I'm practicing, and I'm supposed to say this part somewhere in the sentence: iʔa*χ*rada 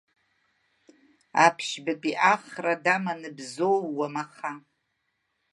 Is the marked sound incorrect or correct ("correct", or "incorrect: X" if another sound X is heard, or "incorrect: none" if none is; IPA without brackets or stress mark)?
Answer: correct